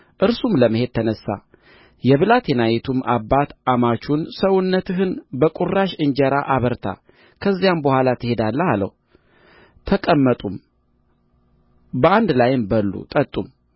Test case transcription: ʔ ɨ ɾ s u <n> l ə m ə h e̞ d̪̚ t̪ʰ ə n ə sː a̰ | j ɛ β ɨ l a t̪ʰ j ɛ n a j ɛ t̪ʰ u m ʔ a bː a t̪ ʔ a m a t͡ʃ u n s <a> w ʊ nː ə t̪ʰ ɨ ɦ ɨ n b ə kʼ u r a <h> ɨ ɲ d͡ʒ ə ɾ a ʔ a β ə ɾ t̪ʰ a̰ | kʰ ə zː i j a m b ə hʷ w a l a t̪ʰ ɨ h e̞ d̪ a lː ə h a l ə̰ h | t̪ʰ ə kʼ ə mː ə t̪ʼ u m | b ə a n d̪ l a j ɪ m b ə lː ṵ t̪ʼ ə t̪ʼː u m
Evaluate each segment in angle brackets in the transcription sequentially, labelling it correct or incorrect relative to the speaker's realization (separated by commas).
incorrect, incorrect, incorrect